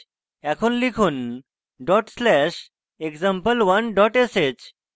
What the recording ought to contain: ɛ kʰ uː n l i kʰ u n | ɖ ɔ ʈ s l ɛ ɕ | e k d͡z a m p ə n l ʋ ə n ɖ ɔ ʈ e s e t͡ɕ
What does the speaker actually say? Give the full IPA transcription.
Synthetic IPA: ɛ kʰ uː n l i kʰ uː n | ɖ ɔ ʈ s l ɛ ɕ | e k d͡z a m p ə l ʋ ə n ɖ ɔ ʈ e s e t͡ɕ